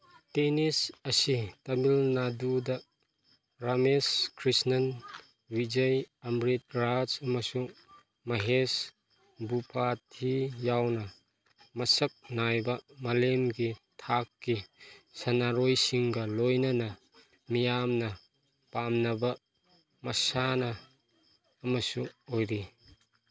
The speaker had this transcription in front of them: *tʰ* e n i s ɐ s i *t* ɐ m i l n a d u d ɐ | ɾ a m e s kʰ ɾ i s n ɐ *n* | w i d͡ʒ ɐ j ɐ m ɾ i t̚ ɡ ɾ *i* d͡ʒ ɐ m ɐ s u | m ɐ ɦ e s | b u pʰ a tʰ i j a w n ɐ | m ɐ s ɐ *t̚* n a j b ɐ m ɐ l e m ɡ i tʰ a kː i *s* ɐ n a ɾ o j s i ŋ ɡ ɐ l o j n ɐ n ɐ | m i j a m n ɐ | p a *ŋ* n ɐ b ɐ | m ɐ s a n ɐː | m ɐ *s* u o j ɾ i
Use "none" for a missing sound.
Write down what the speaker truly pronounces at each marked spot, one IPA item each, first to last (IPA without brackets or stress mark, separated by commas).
t, t, n, a, k̚, s, m, s